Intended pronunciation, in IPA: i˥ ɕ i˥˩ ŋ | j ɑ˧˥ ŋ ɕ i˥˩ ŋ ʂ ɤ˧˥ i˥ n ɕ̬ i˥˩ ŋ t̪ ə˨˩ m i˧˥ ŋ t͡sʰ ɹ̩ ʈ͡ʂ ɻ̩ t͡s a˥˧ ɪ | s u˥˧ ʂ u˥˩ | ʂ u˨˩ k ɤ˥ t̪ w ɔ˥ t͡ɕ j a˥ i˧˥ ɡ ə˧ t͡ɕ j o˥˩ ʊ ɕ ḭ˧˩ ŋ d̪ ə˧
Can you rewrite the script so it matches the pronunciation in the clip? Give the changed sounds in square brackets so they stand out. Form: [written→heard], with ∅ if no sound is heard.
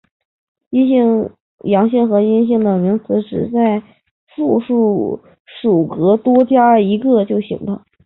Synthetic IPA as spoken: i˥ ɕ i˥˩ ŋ | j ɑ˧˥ ŋ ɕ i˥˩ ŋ [ʂ→x] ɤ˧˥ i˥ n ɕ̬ i˥˩ ŋ [t̪→d̪] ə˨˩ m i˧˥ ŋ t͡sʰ ɹ̩ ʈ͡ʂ ɻ̩ t͡s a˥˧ ɪ | [s→f] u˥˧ ʂ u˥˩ | ʂ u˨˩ k [ɤ˥→ɤ˧˥] t̪ w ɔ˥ t͡ɕ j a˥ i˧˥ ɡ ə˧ t͡ɕ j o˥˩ ʊ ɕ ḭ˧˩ ŋ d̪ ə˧